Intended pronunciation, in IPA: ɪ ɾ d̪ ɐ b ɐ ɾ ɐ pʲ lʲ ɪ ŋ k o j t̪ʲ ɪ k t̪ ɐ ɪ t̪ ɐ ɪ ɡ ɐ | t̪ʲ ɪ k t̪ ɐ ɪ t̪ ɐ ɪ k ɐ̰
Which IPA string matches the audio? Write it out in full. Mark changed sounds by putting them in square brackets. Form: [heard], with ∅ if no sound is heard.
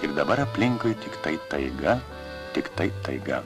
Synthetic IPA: ɪ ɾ d̪ ɐ b ɐ ɾ ɐ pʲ lʲ ɪ ŋ k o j t̪ʲ ɪ k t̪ ɐ ɪ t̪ ɐ ɪ ɡ ɐ | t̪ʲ ɪ k t̪ ɐ ɪ t̪ ɐ ɪ [ɡ] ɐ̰